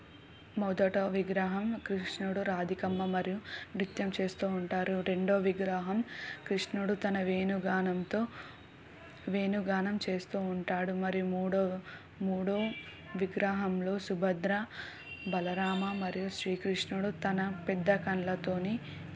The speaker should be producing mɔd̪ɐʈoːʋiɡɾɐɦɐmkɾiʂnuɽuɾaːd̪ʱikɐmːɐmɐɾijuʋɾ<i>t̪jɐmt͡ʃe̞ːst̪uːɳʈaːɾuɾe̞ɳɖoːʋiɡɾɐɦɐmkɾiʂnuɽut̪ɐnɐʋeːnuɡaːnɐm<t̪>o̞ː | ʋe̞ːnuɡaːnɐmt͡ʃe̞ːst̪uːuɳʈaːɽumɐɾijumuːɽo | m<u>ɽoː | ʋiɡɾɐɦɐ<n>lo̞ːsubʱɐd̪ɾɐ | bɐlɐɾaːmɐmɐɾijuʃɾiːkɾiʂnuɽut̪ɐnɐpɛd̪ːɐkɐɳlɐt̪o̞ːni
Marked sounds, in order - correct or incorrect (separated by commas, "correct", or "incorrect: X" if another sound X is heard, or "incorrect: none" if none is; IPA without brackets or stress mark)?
correct, correct, incorrect: uː, incorrect: m